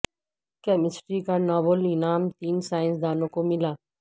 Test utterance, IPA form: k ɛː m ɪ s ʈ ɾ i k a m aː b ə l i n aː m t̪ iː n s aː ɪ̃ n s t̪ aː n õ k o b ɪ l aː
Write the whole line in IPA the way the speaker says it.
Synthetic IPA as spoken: k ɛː m ɪ s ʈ ɾ i k a n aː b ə l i n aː m t̪ iː n s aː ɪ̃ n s d̪ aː n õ k o m ɪ l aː